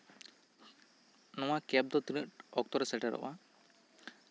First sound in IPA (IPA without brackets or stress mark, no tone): n